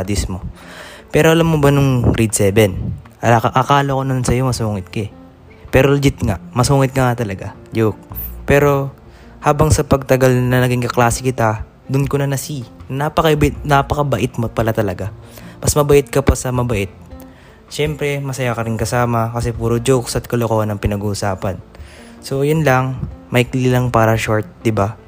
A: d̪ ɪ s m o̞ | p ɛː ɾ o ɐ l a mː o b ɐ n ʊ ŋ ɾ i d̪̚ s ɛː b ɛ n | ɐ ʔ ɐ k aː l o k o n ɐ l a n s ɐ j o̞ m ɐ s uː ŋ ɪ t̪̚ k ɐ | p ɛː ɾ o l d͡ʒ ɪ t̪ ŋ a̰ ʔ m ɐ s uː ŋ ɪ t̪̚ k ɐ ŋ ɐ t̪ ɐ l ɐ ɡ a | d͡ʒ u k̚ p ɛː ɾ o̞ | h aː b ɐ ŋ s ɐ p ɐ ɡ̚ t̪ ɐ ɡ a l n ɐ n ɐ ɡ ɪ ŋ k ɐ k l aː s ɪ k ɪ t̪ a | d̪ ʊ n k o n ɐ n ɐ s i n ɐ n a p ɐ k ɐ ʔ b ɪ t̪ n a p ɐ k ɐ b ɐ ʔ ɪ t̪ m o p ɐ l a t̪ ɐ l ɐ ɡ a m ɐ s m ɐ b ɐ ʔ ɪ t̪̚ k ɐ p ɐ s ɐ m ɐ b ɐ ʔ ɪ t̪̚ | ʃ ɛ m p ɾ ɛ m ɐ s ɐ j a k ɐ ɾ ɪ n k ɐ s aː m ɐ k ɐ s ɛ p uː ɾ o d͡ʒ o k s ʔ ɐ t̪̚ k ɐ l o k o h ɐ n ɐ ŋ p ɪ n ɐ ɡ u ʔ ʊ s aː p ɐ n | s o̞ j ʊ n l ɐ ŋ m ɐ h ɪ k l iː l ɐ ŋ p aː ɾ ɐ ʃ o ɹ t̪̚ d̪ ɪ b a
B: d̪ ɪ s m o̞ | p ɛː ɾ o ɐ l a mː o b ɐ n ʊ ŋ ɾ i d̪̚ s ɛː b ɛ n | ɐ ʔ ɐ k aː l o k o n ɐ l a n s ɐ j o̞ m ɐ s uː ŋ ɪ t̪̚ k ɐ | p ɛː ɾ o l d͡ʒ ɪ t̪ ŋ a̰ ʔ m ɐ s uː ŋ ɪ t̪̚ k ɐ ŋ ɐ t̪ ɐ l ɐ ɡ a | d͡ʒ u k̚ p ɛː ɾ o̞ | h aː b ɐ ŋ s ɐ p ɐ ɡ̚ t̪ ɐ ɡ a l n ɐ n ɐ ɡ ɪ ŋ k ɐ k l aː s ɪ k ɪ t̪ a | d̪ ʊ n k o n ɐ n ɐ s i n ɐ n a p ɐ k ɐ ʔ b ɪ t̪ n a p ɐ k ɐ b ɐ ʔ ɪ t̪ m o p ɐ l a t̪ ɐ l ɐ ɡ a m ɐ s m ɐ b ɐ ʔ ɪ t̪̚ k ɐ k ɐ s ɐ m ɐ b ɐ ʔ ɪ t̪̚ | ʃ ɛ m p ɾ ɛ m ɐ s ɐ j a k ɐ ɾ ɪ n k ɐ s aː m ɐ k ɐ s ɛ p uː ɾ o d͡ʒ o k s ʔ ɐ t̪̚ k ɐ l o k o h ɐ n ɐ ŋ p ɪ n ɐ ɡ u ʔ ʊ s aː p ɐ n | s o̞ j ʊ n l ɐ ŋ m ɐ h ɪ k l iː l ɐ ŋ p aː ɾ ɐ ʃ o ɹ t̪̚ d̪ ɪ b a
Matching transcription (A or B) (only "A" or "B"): A